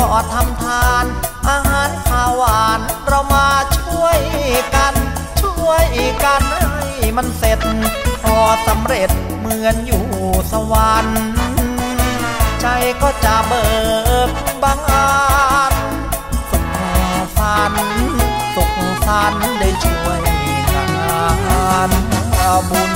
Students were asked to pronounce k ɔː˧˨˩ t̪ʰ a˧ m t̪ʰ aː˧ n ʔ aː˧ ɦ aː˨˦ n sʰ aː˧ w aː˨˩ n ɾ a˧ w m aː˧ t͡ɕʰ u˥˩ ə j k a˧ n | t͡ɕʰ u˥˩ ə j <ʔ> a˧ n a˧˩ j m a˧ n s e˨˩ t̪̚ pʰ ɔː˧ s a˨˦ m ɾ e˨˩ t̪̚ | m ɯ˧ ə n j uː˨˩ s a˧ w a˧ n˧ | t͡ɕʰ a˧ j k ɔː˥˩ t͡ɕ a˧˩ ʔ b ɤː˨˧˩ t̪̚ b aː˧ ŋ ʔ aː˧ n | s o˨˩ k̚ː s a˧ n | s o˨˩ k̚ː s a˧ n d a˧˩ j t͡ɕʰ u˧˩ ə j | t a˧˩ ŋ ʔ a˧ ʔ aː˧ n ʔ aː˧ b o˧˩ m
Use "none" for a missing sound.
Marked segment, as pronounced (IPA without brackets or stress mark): k